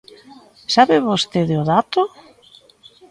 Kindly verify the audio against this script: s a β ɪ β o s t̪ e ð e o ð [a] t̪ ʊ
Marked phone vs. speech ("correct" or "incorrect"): correct